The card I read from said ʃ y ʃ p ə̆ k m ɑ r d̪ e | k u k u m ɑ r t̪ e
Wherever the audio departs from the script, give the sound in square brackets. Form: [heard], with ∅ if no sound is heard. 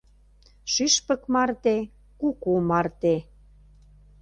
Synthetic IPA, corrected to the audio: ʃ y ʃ p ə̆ k m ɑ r [t̪] e | k u k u m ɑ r t̪ e